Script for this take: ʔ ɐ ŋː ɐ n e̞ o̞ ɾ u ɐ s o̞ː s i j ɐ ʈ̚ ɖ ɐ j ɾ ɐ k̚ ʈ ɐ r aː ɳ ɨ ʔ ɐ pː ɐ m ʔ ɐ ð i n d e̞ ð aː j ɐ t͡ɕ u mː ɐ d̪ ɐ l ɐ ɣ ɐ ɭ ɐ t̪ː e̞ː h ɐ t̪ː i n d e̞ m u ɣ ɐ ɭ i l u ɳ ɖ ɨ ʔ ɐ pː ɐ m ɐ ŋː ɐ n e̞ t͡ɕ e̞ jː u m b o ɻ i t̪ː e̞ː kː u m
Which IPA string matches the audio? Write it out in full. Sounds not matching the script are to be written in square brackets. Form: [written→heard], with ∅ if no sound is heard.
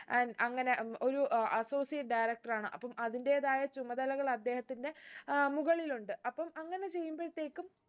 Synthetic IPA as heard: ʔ ɐ ŋː ɐ n e̞ o̞ ɾ u ɐ s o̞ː s i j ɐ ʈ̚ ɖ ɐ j ɾ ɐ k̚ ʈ ɐ r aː ɳ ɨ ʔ ɐ pː ɐ m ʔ ɐ ð i n d e̞ ð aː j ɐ t͡ɕ u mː ɐ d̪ ɐ l ɐ ɣ ɐ ɭ ɐ [t̪ː→d̪ː] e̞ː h ɐ t̪ː i n d e̞ m u ɣ ɐ ɭ i l u ɳ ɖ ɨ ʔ ɐ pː ɐ m ɐ ŋː ɐ n e̞ t͡ɕ e̞ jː u m b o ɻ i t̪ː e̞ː kː u m